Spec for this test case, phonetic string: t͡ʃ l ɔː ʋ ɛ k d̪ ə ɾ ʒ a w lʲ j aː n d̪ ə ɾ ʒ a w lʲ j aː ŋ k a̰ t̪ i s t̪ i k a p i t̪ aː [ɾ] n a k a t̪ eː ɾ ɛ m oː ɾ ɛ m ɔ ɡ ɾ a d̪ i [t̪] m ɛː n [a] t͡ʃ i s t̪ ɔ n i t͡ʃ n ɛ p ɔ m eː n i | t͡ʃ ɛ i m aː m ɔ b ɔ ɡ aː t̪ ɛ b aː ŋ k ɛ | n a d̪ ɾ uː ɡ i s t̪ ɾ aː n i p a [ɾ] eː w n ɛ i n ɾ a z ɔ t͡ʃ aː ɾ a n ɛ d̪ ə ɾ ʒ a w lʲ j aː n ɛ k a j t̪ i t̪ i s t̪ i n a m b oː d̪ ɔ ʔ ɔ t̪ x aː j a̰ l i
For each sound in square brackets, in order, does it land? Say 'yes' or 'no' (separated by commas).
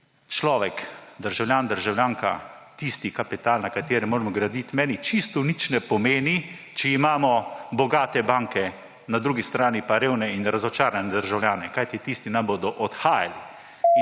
no, yes, no, yes